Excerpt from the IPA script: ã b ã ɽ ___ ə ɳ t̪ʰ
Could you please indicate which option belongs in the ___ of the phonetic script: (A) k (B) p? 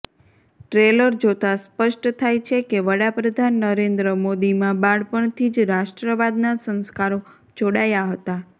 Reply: B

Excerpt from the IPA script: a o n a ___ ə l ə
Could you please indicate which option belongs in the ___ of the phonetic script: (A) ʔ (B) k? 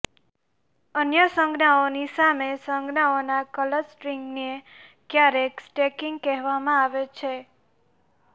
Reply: B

